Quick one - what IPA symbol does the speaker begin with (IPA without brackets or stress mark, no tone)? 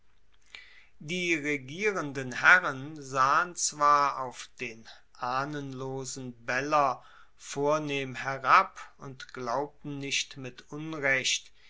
d